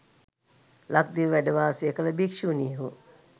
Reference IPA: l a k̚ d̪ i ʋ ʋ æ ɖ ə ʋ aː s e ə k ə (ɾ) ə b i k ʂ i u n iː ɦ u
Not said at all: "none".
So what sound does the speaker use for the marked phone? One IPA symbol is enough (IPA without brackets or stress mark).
l